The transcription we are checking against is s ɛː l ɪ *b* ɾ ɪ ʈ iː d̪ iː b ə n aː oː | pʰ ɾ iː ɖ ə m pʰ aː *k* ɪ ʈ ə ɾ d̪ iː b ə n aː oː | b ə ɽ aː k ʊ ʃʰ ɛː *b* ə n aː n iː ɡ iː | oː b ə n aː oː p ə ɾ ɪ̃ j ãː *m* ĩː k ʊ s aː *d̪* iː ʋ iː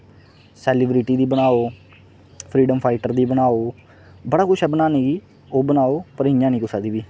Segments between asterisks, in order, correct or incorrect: correct, incorrect, correct, incorrect, correct

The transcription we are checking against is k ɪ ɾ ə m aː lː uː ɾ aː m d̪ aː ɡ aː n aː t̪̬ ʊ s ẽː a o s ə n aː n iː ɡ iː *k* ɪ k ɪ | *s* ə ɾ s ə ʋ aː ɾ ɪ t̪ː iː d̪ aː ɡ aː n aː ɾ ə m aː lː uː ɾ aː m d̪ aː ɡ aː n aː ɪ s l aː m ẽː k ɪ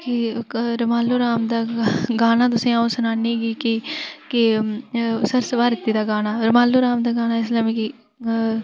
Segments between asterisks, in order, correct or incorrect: correct, correct

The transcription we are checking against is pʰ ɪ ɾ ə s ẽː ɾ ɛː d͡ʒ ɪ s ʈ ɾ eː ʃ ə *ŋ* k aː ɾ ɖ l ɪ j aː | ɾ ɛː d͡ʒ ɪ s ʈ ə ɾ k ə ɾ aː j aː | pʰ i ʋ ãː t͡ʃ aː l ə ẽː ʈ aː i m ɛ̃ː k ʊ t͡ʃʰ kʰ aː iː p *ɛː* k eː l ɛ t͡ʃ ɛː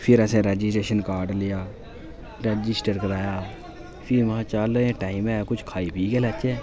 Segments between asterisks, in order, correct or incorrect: incorrect, incorrect

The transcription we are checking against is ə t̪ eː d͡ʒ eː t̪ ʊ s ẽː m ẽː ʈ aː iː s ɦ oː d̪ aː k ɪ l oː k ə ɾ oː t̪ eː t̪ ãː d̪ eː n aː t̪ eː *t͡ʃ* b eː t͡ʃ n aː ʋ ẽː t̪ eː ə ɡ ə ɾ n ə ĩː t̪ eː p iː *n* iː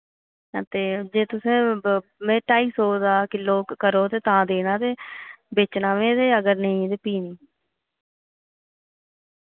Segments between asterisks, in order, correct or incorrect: incorrect, correct

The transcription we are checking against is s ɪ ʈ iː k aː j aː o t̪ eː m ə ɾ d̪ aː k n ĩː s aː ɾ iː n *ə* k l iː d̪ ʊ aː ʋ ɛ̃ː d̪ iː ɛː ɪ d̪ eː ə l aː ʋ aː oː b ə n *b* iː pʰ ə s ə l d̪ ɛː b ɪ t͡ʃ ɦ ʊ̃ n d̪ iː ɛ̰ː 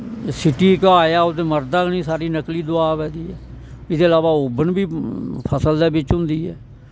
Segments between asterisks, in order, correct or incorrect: correct, correct

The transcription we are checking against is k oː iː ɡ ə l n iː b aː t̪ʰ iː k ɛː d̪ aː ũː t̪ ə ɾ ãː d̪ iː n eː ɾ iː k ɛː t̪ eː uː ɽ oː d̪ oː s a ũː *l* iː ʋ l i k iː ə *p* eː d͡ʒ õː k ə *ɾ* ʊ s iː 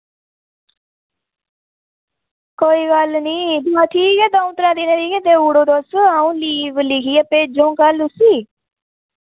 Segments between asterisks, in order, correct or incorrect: correct, correct, incorrect

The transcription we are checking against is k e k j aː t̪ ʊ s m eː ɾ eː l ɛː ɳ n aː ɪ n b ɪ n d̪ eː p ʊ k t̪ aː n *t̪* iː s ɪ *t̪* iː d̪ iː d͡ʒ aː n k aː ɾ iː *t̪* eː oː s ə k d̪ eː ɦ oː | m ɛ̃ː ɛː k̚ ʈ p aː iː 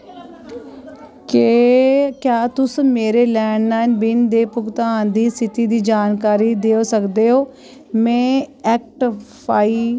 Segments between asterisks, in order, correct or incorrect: incorrect, correct, incorrect

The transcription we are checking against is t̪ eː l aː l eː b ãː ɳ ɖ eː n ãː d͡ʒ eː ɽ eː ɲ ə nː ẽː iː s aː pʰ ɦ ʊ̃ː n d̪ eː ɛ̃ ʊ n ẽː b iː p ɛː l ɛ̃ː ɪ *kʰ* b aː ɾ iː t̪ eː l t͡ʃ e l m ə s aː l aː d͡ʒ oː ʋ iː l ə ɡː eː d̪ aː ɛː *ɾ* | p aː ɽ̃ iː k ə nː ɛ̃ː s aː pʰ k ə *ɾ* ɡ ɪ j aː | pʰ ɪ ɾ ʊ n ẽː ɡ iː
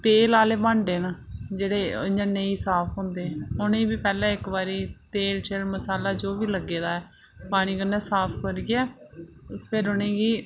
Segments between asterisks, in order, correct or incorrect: incorrect, incorrect, correct

